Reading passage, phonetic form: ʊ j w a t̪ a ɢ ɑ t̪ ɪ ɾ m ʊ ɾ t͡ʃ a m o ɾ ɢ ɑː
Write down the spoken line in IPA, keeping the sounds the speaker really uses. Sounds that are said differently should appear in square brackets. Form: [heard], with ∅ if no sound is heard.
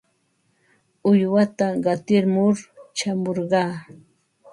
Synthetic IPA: ʊ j w a t̪ a ɢ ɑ t̪ ɪ ɾ m ʊ ɾ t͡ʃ a m o ɾ ɢ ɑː